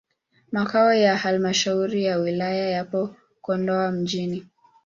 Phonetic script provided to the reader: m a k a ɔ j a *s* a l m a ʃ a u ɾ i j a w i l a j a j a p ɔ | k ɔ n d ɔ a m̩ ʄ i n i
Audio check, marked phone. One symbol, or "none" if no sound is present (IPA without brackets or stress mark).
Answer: h